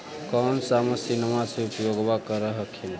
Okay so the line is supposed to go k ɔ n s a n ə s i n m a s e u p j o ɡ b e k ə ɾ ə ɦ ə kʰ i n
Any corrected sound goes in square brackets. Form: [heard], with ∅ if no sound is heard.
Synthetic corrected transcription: k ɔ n s a [m] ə s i n m a s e u p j o ɡ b [a] k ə ɾ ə ɦ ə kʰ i n